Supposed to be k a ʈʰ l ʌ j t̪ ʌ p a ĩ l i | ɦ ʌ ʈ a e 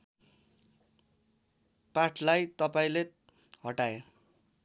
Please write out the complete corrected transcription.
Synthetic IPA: p a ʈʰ l a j t̪ ʌ p a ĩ l e | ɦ ʌ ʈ a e